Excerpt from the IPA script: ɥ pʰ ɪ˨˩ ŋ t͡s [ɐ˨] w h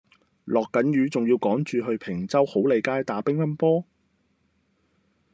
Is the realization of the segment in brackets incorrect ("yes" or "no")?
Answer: yes